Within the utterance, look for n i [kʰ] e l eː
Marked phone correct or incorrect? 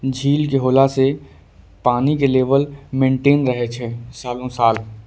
incorrect